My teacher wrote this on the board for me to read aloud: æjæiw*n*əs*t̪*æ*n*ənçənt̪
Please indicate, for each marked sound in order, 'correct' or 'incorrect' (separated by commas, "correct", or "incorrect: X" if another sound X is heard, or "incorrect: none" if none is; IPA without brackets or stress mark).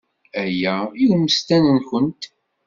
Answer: incorrect: m, correct, correct